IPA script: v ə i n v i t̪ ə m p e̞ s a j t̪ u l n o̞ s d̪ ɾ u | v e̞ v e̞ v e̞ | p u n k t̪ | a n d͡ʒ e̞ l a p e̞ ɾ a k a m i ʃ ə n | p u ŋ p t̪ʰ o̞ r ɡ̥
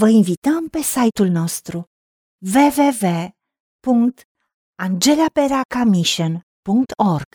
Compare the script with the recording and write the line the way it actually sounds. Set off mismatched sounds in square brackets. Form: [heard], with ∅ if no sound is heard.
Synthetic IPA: v ə i n v i t̪ ə m p e̞ s a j t̪ u l n o̞ s [t̪] ɾ u | v e̞ v e̞ v e̞ | p u [ŋ] k t̪ | a n d͡ʒ e̞ l a p e̞ ɾ a k a m i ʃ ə n | p u ŋ [k] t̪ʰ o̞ r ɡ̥